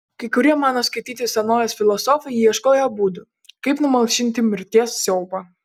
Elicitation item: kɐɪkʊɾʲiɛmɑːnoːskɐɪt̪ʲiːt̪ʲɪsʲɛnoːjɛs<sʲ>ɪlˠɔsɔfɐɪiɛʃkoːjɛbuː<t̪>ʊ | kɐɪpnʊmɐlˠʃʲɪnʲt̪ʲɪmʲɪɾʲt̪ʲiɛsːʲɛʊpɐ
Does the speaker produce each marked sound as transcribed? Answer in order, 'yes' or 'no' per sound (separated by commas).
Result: no, no